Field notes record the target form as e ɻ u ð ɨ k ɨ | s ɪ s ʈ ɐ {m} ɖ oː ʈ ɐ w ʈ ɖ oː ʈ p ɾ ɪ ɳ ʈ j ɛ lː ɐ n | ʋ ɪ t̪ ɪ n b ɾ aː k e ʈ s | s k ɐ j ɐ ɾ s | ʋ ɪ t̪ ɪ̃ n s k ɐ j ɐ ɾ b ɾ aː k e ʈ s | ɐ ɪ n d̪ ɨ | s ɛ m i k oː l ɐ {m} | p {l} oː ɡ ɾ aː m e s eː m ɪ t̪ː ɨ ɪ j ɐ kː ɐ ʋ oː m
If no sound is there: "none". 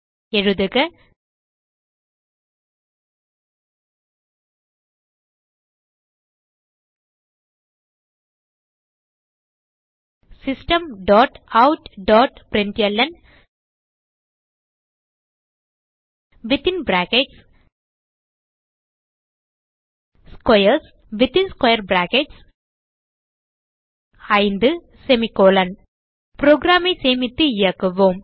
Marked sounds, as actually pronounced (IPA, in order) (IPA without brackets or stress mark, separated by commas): m, n, ɾ